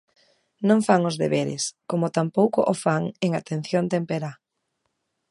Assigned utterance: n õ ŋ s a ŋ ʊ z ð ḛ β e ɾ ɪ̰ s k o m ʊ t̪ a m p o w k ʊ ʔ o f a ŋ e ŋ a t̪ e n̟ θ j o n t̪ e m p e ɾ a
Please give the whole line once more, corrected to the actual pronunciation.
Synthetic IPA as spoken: n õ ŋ f a ŋ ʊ z ð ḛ β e ɾ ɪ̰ s k o m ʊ t̪ a m p o w k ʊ ʔ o f a ŋ e ŋ a t̪ e n̟ θ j o n t̪ e m p e ɾ a